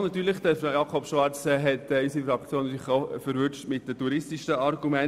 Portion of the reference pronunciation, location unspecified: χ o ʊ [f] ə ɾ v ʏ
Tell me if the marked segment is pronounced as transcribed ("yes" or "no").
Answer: yes